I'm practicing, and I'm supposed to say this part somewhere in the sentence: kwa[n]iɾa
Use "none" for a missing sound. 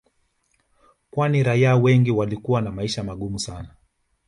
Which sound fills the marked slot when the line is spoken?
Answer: n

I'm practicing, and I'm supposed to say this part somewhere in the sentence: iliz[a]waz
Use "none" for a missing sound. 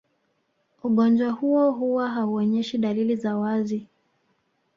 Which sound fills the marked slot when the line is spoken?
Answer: a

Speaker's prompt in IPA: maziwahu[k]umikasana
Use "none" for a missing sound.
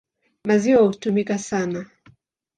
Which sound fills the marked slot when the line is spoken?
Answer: t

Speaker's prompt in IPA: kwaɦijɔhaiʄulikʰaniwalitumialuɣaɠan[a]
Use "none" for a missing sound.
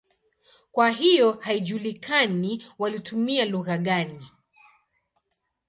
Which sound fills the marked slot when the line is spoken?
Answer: i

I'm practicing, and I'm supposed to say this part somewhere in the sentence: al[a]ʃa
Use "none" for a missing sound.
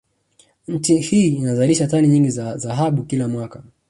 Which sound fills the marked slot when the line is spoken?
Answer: i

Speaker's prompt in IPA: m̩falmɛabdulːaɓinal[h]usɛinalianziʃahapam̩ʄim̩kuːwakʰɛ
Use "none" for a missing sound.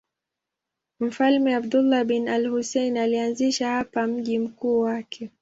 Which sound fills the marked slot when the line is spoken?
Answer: h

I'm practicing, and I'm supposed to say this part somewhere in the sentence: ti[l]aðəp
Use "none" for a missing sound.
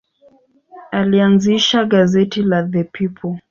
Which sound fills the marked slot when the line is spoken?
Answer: l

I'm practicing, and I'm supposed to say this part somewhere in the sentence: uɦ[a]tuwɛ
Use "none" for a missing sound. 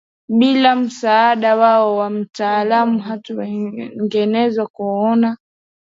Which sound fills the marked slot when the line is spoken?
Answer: a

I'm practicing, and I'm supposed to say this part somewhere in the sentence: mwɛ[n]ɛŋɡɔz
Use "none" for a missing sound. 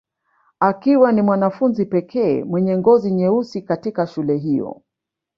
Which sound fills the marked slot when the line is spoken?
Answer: ɲ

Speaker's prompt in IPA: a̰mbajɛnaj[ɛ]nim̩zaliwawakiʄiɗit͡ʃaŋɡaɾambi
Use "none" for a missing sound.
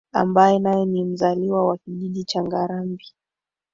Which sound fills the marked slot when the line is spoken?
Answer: ɛ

